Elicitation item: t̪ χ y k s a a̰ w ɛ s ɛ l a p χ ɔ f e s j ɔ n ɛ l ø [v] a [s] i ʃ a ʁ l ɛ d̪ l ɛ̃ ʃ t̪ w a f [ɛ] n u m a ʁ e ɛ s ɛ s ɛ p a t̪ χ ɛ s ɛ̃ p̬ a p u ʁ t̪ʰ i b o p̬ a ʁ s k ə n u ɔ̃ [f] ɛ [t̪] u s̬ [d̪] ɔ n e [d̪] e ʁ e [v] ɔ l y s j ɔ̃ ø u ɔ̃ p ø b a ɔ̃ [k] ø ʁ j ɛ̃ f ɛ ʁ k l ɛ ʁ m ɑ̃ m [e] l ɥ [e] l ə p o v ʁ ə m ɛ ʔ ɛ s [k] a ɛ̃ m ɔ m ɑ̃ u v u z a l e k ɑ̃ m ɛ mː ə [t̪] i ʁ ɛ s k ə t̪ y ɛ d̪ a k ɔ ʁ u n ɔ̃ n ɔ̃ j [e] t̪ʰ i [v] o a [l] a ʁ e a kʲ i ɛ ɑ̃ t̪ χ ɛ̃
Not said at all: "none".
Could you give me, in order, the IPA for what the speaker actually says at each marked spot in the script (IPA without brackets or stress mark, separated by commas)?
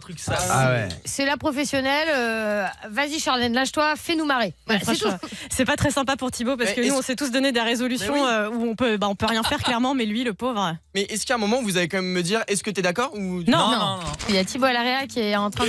v, z, ɛ, s, t̪, d̪, d̪, z, p, ɛ, i, k, d̪, a, b, l